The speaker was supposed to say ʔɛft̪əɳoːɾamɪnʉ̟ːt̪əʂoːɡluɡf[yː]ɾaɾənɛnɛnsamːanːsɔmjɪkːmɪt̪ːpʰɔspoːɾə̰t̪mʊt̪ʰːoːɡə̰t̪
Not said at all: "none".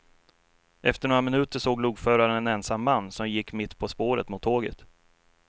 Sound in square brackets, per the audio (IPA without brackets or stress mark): œː